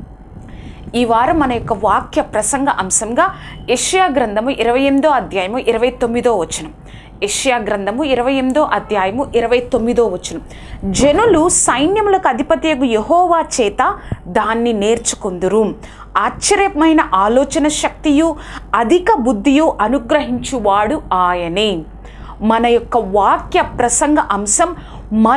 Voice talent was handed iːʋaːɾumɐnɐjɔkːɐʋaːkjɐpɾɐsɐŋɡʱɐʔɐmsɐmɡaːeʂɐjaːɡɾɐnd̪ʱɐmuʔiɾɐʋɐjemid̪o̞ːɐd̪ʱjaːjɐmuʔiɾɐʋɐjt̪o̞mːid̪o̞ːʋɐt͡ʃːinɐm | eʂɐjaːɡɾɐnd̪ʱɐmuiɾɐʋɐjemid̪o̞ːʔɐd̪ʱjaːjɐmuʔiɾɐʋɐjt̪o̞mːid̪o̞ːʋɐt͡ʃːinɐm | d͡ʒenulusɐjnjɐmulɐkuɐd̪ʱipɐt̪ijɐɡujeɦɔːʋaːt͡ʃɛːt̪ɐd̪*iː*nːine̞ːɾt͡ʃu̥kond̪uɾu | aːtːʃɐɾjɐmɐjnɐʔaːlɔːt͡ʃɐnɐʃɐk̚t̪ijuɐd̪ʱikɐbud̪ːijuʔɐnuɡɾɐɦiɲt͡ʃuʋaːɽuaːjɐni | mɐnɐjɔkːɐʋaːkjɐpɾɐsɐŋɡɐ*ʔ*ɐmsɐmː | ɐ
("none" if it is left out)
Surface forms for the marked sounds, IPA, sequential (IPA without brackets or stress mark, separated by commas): aː, ʔ